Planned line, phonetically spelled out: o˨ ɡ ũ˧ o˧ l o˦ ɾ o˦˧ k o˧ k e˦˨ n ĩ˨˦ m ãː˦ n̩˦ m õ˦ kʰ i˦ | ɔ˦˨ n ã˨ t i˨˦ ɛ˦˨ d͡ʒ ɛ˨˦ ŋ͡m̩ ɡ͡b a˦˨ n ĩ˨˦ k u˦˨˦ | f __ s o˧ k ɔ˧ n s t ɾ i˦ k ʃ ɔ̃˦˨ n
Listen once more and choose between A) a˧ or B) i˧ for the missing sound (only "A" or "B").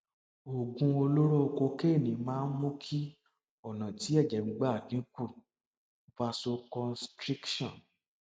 A